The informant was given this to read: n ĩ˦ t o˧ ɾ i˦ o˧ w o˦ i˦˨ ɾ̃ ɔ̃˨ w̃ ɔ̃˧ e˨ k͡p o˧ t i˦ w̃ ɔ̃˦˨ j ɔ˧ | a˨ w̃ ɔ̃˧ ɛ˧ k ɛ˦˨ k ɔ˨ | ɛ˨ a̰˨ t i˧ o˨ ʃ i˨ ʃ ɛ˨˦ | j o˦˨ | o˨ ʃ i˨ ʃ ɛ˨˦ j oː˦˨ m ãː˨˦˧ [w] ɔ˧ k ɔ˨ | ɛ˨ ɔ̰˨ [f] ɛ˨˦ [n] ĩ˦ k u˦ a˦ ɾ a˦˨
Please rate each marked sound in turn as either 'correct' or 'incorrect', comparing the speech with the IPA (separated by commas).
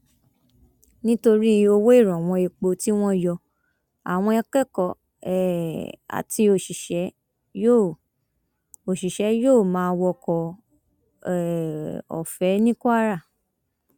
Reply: correct, correct, correct